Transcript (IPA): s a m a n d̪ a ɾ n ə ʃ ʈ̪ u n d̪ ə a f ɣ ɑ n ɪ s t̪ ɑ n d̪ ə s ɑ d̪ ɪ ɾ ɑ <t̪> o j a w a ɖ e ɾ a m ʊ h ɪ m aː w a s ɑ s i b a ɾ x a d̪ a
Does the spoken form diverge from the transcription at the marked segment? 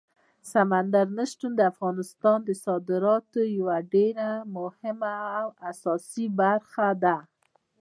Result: no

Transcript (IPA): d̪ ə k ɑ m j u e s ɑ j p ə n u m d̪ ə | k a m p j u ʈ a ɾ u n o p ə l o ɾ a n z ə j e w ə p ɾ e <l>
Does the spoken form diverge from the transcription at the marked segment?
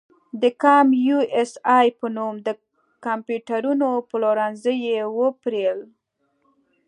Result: no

